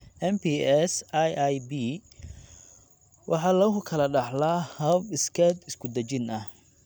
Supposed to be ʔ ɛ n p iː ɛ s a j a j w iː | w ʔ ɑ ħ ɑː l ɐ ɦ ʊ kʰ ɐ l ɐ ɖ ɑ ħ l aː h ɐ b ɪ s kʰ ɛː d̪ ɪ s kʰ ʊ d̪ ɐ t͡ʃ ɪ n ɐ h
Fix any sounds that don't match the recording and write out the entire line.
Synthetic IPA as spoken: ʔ ɛ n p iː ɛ s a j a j b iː | w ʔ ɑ ħ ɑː l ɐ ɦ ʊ kʰ ɐ l ɐ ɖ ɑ ħ l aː h ɐ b ɪ s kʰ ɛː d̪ ɪ s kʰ ʊ d̪ ɐ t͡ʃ ɪ n ɐ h

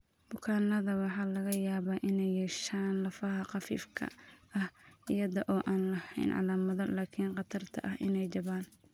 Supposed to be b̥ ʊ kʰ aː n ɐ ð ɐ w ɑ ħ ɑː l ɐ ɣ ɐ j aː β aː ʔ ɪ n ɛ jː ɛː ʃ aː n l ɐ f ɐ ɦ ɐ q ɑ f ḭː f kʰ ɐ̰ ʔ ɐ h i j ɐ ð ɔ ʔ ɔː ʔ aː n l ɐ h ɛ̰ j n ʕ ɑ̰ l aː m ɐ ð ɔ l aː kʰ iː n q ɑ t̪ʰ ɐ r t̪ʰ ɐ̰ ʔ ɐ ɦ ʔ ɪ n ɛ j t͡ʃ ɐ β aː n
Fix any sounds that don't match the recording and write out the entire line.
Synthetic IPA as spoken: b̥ ʊ kʰ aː n ɐ ð ɐ w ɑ ħ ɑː l ɐ ɣ ɐ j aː β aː ʔ ɪ n ɛ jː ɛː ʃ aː n l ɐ f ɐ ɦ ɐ q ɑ f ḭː f kʰ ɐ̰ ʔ ɐ h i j ɐ ð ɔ ʔ ɔː ʔ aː n l ɐ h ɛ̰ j n ʕ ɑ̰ l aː m ɐ ð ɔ l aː kʰ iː n q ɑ t̪ʰ ɐ r t̪ʰ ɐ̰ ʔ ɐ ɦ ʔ ɪ n ɛ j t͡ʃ ɐ β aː n

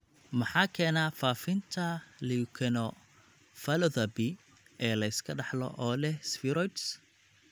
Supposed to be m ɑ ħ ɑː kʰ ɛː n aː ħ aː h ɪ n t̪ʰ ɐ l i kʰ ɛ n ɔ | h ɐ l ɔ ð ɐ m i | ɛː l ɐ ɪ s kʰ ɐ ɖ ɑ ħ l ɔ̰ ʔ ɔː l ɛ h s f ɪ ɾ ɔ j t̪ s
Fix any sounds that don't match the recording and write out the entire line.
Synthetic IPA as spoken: m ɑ ħ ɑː kʰ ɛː n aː f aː f ɪ n t̪ʰ ɐ l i kʰ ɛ n ɔ | f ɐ l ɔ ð ɐ b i | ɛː l ɐ ɪ s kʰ ɐ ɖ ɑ ħ l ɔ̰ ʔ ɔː l ɛ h s f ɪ ɾ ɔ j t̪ s

